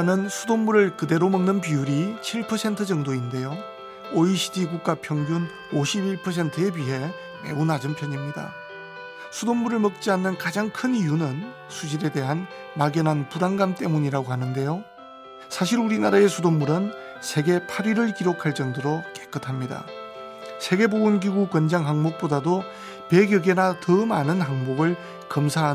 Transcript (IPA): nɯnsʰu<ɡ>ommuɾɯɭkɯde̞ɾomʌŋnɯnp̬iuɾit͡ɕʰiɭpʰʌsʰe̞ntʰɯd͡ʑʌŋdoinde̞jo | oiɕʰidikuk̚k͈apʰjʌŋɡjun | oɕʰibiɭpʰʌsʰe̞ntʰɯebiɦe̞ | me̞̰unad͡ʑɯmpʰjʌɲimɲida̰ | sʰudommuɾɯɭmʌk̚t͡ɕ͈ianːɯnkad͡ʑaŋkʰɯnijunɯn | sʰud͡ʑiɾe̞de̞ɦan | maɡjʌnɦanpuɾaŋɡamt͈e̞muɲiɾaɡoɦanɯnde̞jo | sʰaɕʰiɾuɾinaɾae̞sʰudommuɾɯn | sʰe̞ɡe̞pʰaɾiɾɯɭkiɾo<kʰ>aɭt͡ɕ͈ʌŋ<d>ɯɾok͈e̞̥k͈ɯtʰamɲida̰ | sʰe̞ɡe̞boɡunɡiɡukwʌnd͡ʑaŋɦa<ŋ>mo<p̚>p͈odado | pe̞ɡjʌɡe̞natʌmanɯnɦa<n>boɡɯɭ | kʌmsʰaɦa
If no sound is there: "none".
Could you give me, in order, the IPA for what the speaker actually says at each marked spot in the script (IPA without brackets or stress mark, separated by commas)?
d, kʰ, d, ŋ, k̚, ŋ